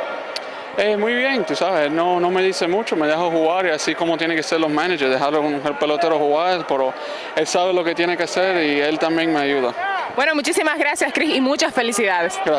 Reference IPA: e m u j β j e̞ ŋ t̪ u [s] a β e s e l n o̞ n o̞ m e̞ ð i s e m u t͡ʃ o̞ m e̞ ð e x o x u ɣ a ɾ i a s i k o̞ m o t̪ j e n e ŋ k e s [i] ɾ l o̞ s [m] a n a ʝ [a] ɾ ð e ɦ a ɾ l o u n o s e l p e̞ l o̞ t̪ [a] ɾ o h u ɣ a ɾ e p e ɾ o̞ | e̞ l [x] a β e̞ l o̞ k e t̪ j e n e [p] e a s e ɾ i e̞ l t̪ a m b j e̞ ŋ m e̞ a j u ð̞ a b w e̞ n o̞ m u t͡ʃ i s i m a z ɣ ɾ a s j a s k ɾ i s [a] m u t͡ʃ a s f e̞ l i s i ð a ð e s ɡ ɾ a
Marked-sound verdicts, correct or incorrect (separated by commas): correct, incorrect, correct, incorrect, incorrect, incorrect, incorrect, incorrect